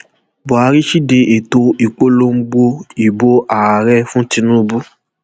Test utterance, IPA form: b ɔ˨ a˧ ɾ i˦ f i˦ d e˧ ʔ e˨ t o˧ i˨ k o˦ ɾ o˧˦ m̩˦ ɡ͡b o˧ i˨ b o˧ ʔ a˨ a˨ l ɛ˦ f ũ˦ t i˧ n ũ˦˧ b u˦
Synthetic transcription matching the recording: b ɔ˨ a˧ ɾ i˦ ʃ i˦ d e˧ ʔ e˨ t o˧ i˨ k͡p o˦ l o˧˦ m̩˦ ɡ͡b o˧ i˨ b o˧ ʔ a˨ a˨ ɾ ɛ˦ f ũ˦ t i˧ n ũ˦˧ b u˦